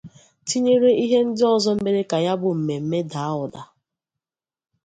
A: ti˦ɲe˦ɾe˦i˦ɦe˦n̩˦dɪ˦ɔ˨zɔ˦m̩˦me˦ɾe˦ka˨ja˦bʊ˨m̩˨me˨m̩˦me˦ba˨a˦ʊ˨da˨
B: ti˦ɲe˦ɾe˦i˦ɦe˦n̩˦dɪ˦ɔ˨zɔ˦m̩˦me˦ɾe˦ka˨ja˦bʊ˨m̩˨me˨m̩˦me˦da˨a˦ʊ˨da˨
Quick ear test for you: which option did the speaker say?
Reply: B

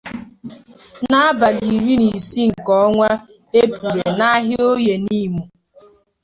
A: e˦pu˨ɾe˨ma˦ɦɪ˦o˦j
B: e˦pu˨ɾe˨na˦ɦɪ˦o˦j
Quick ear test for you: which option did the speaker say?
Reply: B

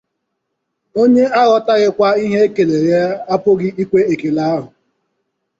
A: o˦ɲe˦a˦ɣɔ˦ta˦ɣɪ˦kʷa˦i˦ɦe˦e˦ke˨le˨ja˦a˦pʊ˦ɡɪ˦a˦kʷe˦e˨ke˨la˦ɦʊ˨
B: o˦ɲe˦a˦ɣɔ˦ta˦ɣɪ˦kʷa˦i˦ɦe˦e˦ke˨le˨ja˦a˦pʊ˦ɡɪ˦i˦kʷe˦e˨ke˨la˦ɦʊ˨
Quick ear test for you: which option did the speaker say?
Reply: B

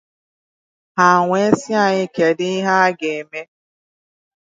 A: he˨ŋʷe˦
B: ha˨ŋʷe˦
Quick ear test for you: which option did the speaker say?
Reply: B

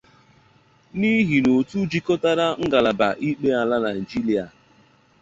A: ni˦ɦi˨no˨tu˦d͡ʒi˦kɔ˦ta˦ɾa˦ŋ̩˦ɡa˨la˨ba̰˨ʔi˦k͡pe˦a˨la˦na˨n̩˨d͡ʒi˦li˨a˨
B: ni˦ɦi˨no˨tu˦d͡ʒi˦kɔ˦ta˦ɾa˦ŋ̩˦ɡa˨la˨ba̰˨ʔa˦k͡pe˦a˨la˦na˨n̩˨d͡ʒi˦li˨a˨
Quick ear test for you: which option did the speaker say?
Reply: A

